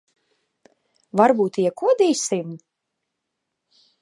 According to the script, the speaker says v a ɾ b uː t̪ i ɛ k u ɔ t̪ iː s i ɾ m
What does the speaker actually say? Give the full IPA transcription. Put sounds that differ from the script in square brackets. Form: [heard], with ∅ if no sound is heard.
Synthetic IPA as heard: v a ɾ b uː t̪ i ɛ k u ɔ [d̪] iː s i [∅] m